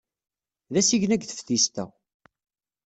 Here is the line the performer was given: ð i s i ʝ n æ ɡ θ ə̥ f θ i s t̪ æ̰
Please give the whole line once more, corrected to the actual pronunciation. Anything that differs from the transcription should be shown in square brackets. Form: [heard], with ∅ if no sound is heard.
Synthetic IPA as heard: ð [æ] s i ʝ n æ ɡ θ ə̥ f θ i s t̪ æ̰